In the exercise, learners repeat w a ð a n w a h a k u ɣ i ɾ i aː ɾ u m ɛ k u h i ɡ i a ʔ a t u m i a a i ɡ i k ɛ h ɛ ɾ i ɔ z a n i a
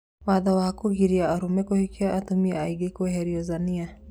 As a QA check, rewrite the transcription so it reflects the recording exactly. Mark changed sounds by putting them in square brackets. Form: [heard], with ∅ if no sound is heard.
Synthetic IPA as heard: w a ð a [∅] w a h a k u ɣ i ɾ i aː ɾ u m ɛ k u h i [k] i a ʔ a t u m i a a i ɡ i k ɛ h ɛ ɾ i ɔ z a n i a